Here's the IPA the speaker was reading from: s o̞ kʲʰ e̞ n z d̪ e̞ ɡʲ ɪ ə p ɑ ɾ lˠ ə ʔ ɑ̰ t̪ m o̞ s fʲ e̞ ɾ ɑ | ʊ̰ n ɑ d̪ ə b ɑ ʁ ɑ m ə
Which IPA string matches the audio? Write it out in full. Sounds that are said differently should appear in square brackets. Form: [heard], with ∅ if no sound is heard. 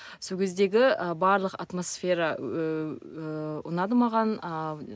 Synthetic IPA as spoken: s o̞ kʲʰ e̞ [∅] z d̪ e̞ ɡʲ ɪ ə [b] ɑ ɾ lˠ ə [q] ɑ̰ t̪ m o̞ s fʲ e̞ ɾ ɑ | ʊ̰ n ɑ d̪ ə [m] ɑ ʁ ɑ [n] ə